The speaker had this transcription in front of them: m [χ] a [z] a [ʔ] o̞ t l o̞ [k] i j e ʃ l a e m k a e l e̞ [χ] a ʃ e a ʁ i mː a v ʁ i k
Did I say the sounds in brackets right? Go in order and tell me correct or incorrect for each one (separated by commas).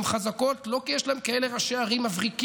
correct, correct, incorrect, correct, incorrect